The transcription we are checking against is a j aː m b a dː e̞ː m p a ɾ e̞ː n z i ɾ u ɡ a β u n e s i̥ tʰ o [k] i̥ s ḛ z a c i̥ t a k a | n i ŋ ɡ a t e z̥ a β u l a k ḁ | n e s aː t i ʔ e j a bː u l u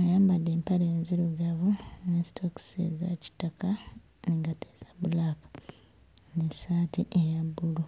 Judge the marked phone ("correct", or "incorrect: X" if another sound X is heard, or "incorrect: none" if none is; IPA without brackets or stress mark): correct